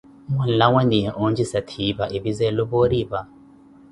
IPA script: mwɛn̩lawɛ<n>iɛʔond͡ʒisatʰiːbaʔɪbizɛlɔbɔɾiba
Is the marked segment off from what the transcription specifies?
no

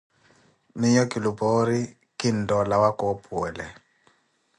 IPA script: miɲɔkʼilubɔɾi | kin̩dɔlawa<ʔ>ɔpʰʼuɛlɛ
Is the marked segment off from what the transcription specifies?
yes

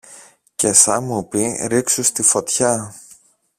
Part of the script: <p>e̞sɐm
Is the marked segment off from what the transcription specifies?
yes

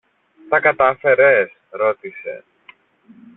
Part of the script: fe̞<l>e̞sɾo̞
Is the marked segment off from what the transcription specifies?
yes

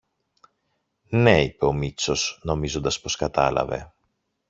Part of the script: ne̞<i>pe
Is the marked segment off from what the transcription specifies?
no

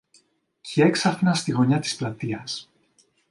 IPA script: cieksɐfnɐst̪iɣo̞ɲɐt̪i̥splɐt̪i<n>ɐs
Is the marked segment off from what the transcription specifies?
yes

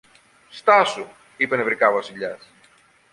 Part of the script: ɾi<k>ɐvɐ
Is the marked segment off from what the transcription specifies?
no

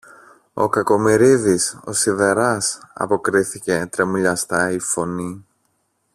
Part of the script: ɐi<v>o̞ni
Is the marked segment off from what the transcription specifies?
yes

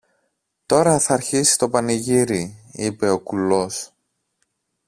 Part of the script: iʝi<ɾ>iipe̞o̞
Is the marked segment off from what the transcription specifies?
no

